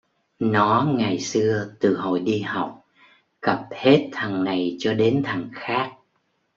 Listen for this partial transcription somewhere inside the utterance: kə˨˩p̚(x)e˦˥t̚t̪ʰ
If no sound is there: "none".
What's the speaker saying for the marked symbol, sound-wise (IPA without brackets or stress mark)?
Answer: h